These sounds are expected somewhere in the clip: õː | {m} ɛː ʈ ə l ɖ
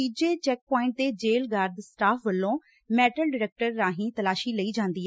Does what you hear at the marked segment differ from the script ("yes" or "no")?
no